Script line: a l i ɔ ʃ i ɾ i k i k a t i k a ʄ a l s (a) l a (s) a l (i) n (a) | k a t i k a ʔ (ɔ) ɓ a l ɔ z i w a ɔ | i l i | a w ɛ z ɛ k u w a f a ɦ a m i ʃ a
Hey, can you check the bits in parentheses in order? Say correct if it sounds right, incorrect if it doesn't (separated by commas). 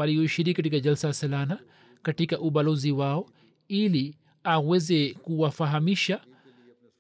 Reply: correct, correct, incorrect, correct, incorrect